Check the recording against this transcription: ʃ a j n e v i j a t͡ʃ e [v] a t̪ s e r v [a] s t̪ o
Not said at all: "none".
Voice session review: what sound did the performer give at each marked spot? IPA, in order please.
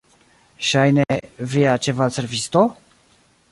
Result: v, i

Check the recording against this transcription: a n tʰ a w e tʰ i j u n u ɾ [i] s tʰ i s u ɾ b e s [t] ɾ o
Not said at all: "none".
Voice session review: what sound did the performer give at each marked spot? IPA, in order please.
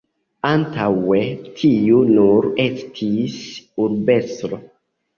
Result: e, t

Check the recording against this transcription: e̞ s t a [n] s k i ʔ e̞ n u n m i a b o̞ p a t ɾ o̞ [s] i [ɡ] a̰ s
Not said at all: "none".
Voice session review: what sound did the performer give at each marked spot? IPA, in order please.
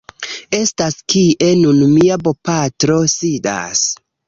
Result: none, s, d

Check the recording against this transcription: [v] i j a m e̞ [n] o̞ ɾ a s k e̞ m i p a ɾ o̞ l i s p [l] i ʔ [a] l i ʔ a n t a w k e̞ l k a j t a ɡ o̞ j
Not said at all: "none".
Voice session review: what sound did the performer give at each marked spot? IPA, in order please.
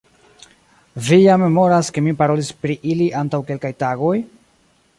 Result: v, m, ɾ, i

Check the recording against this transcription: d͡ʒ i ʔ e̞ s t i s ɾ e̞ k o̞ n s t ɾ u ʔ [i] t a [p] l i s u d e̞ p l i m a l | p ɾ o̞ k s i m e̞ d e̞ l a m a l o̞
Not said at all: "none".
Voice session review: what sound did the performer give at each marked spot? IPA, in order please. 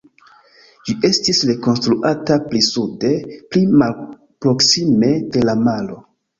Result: a, p

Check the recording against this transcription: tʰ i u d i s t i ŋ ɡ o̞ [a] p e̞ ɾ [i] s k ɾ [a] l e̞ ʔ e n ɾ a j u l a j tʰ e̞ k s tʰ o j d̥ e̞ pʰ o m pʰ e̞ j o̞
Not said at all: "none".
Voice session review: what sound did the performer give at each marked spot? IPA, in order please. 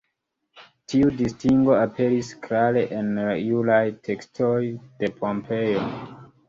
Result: a, i, a

